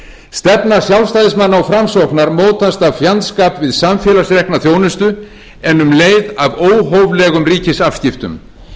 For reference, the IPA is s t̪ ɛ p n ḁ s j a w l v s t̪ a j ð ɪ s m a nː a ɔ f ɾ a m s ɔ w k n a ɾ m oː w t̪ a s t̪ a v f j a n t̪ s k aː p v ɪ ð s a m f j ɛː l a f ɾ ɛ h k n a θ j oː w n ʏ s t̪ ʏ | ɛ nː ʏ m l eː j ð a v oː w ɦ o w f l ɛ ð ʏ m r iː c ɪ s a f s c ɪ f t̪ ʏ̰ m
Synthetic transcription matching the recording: s t̪ ɛ p n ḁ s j a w l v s t̪ a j ð ɪ s m a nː a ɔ f ɾ a m s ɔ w k n a ɾ m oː w t̪ a s t̪ a v f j a n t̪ s k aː p v ɪ ð s a m f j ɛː l a s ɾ ɛ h k n a θ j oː w n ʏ s t̪ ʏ | ɛ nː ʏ m l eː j ð a v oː w ɦ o w v l ɛ ɣ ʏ m r iː c ɪ s a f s c ɪ f t̪ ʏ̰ m